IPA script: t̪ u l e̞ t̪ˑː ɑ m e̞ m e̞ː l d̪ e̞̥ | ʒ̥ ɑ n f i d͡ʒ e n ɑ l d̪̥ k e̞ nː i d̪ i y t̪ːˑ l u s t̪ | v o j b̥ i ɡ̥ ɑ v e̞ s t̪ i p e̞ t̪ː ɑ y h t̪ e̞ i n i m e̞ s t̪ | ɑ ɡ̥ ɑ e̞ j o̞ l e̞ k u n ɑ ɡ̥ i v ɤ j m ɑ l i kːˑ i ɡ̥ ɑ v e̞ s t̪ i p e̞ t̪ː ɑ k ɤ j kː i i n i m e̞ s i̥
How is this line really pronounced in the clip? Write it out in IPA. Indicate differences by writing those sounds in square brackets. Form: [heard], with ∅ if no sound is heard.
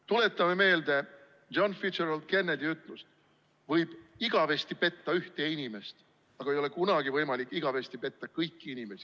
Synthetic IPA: t̪ u l e̞ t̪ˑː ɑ m e̞ m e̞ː l d̪ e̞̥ | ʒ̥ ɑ n f i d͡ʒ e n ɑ l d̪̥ k e̞ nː [e] d̪ i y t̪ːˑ l u s t̪ | v [ɤ] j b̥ i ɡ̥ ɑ v e̞ s t̪ i p e̞ t̪ː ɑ y h t̪ e̞ i n i m e̞ s t̪ | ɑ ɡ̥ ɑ e̞ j o̞ l e̞ k u n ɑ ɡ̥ i v ɤ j m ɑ l i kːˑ i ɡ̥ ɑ v e̞ s t̪ i p e̞ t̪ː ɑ k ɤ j kː i i n i m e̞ s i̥